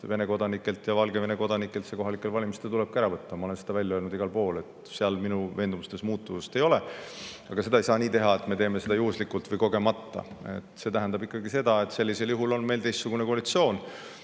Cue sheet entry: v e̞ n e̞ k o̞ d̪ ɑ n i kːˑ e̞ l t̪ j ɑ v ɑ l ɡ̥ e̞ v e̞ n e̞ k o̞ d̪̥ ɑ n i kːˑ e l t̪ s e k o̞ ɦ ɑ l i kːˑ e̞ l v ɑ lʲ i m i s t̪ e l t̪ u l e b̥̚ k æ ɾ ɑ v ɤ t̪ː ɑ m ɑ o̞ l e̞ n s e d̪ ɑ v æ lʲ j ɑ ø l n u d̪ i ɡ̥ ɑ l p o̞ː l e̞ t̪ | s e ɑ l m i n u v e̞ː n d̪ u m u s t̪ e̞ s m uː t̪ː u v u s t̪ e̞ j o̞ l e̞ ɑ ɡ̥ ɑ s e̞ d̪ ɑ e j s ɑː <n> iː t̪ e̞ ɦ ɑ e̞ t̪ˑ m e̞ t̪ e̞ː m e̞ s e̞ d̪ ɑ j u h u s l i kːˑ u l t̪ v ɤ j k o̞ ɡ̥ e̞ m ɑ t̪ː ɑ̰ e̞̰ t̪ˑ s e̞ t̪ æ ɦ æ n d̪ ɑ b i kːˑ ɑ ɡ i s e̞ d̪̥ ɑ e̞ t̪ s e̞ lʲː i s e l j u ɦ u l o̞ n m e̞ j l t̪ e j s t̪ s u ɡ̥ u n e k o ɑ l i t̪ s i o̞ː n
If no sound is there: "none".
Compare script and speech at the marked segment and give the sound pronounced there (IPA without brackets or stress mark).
n